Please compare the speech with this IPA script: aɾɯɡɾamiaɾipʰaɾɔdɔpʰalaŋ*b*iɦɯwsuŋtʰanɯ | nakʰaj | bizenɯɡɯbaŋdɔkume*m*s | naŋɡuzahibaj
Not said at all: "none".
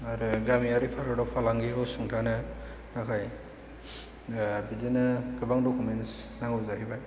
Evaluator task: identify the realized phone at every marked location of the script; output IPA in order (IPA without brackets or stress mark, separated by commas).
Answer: ɡ, n